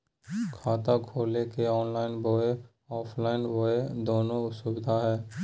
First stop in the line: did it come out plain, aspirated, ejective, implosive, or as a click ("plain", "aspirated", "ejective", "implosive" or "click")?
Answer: aspirated